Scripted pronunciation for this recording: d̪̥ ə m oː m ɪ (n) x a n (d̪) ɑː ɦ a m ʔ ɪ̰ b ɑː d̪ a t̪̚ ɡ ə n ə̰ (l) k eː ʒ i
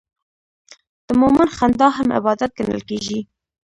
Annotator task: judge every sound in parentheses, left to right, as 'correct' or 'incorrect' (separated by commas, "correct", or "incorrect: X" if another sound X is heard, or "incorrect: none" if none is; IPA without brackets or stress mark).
correct, correct, correct